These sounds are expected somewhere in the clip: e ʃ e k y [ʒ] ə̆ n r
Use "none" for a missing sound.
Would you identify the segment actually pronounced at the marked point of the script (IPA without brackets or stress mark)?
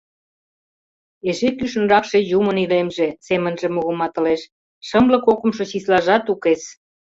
ʃ